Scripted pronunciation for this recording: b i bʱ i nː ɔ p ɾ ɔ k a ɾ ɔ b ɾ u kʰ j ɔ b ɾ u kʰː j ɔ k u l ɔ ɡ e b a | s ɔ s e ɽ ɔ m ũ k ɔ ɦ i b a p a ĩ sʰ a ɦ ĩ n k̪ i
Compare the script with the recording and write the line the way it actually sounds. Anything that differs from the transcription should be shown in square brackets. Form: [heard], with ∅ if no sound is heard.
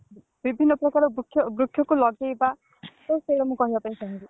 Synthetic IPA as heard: b i bʱ i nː ɔ p ɾ ɔ k a ɾ ɔ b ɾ u kʰ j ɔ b ɾ u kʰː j ɔ k u l ɔ ɡ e b a | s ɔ s e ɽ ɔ m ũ k ɔ ɦ i b a p a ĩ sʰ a ɦ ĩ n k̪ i

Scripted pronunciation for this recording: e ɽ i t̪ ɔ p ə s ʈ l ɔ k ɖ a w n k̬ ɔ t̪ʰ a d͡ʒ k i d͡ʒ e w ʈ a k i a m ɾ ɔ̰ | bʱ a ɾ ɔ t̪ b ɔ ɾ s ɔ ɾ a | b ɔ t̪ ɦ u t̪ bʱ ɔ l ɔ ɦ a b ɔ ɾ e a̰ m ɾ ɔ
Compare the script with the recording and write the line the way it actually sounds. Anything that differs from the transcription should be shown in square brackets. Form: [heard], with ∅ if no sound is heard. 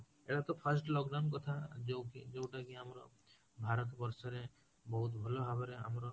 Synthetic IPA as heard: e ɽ [a] t̪ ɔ [pʰ] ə s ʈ l ɔ k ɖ a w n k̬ ɔ t̪ʰ a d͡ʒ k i d͡ʒ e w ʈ a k i a m ɾ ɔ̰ | bʱ a ɾ ɔ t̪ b ɔ ɾ s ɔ ɾ [e] | b ɔ [∅] ɦ u t̪ bʱ ɔ l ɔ ɦ a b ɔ ɾ e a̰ m ɾ ɔ

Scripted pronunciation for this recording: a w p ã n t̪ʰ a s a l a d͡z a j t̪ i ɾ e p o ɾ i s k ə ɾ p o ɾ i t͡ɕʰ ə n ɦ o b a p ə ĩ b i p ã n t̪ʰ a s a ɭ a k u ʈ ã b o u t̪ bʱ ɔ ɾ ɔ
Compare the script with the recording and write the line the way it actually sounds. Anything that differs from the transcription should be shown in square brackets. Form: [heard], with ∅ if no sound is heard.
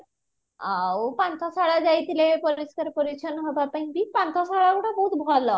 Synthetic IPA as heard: a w p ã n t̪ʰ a s a [ɭ] a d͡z a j t̪ i [l] e p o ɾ i s k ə ɾ p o ɾ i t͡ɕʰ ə n ɦ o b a p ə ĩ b i p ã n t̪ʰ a s a ɭ a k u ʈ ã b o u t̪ bʱ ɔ [l] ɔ

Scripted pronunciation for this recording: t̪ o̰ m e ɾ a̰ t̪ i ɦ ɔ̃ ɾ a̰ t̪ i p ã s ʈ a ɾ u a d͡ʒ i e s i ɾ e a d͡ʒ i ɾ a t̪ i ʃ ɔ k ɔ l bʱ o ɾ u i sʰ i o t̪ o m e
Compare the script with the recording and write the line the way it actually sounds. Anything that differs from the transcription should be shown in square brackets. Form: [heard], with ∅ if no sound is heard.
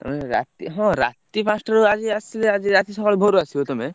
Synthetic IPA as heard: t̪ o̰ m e ɾ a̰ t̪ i ɦ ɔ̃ ɾ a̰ t̪ i p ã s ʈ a ɾ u a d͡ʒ i [a] s i [l] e a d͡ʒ i ɾ a t̪ i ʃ ɔ k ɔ l bʱ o ɾ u [a] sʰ i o t̪ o m e

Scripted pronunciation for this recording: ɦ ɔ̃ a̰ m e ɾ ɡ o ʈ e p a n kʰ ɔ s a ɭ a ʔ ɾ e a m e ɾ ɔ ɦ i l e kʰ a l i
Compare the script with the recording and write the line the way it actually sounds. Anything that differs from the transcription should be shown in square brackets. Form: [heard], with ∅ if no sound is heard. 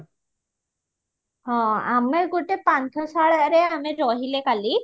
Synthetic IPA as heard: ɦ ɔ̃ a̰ m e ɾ ɡ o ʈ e p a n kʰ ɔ s a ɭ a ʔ ɾ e a m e ɾ ɔ ɦ i l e [k] a l i

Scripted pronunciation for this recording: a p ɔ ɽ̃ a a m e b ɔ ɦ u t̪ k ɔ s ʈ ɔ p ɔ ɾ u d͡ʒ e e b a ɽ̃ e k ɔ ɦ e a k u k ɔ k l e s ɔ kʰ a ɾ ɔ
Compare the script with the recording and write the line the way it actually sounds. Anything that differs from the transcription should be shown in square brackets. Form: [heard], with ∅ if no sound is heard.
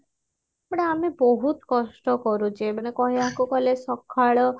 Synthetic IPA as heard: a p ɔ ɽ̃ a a m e b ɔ ɦ u t̪ k ɔ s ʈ ɔ [k] ɔ ɾ u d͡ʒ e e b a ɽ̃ e k ɔ ɦ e a k u k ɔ [∅] l e s ɔ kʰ a [ɭ] ɔ

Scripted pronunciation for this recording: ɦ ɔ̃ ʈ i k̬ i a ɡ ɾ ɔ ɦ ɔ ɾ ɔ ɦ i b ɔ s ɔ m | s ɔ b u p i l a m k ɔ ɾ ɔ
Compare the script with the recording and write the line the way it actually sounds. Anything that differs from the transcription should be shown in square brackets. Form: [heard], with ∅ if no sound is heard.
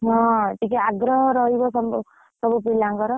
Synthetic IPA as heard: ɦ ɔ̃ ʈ i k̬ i a ɡ ɾ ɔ ɦ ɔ ɾ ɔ ɦ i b ɔ s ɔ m | s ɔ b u p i l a [ŋ] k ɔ ɾ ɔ

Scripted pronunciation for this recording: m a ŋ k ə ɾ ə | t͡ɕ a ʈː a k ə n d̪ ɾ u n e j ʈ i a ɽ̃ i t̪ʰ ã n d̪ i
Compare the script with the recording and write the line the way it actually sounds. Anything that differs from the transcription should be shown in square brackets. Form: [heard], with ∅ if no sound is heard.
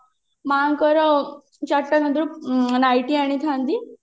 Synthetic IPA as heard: m a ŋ k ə ɾ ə | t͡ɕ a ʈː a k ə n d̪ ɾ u n [a] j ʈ i a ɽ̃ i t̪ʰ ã n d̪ i

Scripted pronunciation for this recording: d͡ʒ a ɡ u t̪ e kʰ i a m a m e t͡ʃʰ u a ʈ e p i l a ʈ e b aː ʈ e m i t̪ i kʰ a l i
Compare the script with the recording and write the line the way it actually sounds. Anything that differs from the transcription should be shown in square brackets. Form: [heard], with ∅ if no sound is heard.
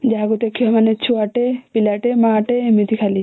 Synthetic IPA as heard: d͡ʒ a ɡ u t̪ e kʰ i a m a [n] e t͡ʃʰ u a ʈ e p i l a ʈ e [m] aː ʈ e m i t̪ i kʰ a l i

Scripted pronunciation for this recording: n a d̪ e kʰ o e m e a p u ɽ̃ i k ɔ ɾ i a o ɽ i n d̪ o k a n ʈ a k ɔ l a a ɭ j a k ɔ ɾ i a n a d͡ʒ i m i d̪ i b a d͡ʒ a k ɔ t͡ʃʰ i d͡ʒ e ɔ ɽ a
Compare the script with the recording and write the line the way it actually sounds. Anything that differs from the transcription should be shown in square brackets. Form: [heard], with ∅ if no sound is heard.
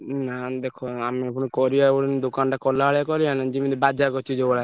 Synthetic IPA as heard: n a d̪ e kʰ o [a] m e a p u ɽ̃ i k ɔ ɾ i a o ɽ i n d̪ o k a n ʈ a k ɔ l a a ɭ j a k ɔ ɾ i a n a d͡ʒ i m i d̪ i b a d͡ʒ a k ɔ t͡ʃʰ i d͡ʒ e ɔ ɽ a

